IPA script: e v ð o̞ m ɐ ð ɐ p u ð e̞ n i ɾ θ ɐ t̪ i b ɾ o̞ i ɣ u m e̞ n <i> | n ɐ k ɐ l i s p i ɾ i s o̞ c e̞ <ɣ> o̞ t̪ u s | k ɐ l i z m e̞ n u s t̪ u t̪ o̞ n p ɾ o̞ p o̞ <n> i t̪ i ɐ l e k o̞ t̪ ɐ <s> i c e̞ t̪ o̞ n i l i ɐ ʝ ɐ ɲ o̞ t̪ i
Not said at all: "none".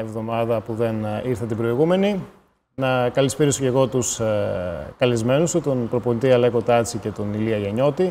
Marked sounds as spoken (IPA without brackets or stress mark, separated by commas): i, ɣ, n, t͡s